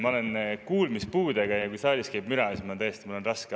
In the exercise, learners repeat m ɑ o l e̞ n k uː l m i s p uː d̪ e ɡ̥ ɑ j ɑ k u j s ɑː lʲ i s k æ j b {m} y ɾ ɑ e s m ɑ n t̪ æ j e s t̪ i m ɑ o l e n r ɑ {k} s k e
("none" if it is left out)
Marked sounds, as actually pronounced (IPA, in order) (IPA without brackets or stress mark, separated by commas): m, none